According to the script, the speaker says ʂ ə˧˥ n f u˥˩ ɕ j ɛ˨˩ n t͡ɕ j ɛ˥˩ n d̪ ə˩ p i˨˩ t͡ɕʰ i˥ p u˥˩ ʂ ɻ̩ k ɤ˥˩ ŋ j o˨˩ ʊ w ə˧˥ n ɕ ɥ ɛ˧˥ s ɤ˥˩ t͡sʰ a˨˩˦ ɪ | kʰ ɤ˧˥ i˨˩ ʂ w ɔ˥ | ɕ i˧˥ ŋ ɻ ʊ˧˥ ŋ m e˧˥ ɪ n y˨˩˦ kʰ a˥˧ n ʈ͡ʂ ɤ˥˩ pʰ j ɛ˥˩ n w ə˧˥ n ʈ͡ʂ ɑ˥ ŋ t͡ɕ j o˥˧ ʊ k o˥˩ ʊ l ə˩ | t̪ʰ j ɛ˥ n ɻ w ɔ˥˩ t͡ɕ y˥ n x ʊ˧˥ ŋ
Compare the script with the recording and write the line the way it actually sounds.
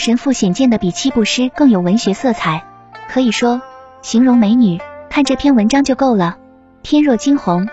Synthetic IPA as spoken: ʂ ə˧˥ n f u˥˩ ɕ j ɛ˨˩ n t͡ɕ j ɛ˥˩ n d̪ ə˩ p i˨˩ t͡ɕʰ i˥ p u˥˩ ʂ ɻ̩ k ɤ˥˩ ŋ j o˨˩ ʊ w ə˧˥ n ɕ ɥ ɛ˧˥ s ɤ˥˩ t͡sʰ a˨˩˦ ɪ | kʰ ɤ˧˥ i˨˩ ʂ w ɔ˥ | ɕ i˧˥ ŋ ɻ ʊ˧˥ ŋ m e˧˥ ɪ n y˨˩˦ kʰ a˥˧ n ʈ͡ʂ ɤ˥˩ pʰ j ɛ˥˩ n w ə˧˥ n ʈ͡ʂ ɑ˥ ŋ t͡ɕ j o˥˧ ʊ k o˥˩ ʊ l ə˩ | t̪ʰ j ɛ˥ n ɻ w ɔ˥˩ t͡ɕ i˥ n x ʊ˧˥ ŋ